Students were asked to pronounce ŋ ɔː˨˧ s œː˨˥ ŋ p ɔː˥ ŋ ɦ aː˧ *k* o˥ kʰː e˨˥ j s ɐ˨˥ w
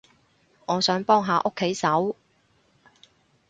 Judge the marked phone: incorrect: ʔ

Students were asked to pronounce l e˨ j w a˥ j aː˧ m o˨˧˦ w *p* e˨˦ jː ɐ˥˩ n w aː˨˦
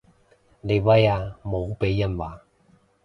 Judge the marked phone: correct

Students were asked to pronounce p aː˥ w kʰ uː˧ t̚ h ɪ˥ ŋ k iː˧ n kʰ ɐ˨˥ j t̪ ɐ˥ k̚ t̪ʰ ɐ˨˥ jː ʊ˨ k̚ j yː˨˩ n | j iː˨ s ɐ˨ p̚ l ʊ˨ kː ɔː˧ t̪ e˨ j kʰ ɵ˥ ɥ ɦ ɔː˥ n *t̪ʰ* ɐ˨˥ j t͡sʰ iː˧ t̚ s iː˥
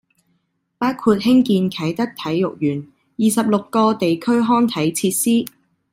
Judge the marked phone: correct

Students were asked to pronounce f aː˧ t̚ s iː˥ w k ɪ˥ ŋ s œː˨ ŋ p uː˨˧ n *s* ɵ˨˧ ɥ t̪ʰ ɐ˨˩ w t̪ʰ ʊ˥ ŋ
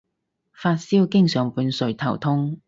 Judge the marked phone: correct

